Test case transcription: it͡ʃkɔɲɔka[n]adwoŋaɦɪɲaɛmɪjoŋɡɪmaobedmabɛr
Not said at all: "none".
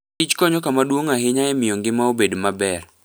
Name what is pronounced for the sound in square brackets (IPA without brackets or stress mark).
m